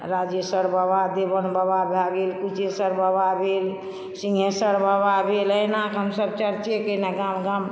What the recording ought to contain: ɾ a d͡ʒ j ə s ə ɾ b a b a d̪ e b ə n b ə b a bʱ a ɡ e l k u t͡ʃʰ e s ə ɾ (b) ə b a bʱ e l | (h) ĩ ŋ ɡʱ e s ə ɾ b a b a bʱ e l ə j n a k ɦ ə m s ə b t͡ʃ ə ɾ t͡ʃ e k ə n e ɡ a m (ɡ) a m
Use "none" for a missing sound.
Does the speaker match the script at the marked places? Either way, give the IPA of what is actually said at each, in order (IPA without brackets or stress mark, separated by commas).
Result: b, s, ɡ